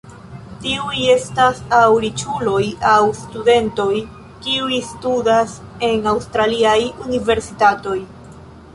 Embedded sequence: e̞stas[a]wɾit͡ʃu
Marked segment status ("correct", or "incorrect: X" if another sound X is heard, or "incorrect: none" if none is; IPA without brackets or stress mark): correct